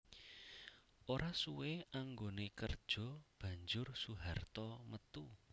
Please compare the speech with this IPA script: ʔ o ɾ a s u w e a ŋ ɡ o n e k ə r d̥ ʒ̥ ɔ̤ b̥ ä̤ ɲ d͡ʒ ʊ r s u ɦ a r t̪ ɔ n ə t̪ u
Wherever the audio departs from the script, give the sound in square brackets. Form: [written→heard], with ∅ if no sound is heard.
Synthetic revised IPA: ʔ o ɾ a s u w e a ŋ ɡ o n e k ə r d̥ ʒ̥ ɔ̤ b̥ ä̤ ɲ d͡ʒ ʊ r s u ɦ a r t̪ ɔ [n→m] ə t̪ u